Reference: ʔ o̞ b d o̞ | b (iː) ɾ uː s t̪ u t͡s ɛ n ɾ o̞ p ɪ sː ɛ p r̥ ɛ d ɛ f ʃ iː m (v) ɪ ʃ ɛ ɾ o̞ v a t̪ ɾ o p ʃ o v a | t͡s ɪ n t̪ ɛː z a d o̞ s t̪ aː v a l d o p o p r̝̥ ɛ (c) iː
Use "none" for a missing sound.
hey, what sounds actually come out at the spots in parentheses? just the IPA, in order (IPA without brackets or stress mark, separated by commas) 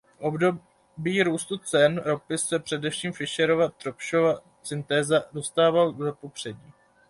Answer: iː, f, ɟ